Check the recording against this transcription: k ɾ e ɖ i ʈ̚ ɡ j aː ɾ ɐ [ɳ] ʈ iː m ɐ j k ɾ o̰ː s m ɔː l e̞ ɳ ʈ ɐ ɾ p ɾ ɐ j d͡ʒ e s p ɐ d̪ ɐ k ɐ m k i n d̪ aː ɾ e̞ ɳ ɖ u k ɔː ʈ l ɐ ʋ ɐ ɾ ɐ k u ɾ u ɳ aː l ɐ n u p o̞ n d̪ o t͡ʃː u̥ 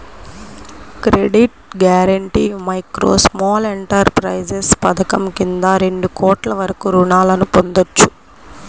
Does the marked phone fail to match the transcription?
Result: no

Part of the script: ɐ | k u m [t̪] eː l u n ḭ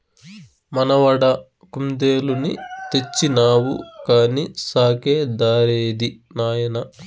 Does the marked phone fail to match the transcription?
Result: yes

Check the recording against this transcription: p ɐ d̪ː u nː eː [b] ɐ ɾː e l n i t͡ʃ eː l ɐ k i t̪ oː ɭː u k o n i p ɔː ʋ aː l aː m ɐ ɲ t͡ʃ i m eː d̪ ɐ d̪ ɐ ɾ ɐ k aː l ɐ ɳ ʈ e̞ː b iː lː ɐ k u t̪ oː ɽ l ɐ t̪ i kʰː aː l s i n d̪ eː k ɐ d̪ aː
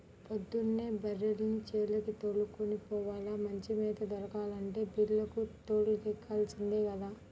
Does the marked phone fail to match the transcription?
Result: no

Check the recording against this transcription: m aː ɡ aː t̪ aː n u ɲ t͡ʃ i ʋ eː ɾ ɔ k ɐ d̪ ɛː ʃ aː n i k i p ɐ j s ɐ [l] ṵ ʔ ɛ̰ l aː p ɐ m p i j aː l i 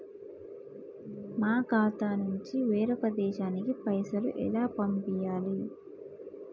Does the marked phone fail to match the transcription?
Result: no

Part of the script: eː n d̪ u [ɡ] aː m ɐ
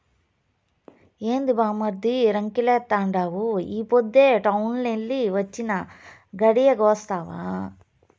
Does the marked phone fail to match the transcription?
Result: yes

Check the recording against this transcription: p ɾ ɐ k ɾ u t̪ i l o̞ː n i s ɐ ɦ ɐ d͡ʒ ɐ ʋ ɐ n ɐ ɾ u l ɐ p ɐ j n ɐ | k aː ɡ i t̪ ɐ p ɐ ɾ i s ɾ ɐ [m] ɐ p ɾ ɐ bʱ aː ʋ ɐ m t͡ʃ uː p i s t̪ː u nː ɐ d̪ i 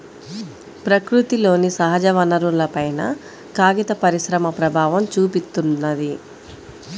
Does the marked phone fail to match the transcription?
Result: no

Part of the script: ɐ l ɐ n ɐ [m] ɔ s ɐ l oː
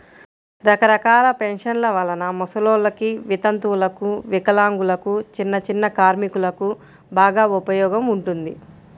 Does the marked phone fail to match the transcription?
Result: no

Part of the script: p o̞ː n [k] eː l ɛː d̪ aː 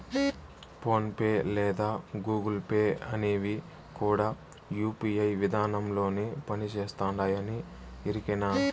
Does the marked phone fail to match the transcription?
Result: yes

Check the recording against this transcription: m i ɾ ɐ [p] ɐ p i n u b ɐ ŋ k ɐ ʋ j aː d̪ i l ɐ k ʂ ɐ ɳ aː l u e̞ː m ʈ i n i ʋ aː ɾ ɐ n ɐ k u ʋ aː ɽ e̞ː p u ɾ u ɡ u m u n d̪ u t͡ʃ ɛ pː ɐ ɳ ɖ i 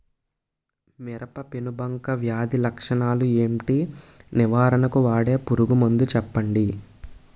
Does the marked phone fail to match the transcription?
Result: no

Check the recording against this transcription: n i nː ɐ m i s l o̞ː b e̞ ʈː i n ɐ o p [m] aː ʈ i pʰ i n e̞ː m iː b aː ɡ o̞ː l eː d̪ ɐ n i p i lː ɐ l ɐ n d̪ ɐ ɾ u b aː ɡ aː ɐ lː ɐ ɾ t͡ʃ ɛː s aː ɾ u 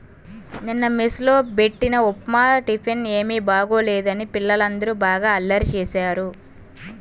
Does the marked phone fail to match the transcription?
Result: no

